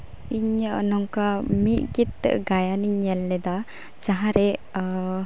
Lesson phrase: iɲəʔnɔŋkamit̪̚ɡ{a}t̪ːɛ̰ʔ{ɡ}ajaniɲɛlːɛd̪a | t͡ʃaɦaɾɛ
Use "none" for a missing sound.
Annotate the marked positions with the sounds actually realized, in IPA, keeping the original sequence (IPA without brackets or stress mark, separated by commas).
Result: i, ɡ